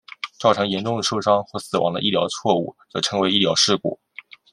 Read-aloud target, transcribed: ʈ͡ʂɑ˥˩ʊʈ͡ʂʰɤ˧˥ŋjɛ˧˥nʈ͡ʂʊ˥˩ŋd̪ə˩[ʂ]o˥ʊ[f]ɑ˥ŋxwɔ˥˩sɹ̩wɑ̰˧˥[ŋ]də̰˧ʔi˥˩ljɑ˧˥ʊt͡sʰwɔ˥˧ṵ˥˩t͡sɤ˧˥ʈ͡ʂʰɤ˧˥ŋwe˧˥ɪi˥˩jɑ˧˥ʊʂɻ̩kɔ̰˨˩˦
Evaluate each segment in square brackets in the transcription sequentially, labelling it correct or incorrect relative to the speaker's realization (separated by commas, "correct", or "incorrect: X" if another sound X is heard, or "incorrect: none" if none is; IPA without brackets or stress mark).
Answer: correct, incorrect: ʂ, correct